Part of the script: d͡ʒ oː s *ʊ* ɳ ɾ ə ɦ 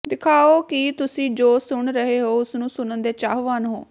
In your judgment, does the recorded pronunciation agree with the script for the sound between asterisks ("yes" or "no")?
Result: yes